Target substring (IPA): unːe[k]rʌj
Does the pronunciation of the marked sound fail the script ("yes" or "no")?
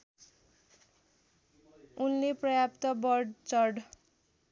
yes